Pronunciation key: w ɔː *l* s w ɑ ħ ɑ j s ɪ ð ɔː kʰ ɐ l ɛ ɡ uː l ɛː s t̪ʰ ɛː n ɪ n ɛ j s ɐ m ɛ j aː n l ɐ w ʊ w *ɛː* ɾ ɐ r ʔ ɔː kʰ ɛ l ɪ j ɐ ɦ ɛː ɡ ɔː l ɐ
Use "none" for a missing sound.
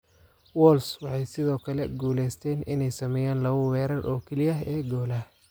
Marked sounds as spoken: l, ɛː

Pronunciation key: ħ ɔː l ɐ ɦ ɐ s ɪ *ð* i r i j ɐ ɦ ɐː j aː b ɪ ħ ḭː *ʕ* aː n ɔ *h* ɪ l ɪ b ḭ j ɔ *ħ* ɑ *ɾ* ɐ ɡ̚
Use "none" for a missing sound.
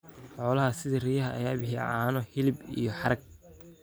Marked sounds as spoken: ð, ʕ, h, ħ, ɾ

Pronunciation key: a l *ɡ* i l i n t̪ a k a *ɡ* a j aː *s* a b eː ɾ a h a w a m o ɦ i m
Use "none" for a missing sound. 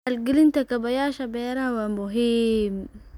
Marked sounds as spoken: ɡ, b, ʃ

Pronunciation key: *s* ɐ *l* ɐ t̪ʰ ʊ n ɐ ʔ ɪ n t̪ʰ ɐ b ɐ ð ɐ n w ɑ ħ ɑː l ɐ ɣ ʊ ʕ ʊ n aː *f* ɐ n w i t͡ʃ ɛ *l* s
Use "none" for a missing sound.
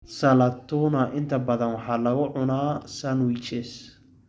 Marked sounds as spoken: s, l, s, none

